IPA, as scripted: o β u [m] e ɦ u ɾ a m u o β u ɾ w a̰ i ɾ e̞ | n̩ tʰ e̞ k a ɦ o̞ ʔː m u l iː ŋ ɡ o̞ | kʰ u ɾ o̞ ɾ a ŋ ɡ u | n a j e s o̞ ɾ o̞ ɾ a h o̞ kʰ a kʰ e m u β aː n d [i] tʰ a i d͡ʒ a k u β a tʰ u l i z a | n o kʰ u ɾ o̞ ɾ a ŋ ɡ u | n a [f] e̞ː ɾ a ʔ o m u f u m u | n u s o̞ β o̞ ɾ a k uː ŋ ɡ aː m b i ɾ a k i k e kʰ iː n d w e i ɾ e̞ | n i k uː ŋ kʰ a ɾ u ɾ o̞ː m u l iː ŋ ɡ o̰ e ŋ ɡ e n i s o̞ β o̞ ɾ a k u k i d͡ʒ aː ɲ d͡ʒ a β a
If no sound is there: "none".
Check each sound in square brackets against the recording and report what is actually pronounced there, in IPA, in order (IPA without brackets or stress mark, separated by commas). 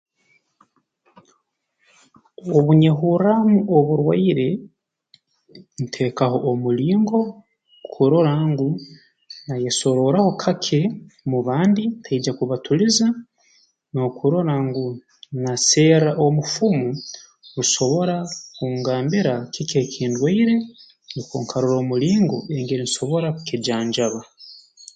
ɲ, i, s